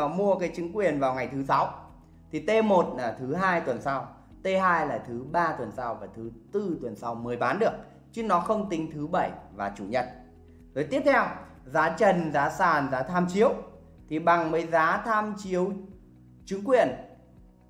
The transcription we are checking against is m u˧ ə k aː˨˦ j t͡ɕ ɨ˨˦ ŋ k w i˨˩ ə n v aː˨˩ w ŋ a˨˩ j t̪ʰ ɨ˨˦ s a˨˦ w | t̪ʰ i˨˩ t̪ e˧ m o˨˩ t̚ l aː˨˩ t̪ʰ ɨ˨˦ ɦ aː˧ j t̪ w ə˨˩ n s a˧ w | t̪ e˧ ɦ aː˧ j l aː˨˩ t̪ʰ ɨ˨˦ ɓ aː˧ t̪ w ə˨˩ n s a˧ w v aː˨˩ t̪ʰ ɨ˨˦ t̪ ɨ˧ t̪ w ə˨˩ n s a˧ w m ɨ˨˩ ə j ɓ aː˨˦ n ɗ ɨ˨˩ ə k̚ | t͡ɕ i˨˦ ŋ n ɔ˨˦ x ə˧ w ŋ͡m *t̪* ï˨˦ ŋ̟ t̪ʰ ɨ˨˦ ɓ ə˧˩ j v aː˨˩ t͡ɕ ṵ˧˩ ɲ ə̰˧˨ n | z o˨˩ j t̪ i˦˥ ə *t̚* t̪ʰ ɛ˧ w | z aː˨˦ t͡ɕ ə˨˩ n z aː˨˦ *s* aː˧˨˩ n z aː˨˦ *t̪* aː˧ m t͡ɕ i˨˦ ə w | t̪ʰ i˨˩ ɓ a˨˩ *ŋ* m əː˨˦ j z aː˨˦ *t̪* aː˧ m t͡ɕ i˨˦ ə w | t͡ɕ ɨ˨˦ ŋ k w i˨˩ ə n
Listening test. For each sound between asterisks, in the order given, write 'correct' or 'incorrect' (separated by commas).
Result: correct, incorrect, correct, incorrect, correct, incorrect